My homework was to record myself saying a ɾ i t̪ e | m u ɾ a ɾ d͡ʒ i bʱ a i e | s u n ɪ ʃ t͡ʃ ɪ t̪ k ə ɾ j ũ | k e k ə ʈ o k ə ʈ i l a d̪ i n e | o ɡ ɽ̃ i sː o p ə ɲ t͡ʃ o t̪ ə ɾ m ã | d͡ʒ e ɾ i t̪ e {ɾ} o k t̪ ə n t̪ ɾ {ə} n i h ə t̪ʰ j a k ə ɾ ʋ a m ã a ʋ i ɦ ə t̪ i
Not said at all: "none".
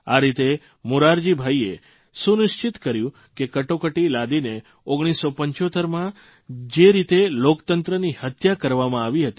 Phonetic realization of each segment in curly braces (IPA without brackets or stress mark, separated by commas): l, ə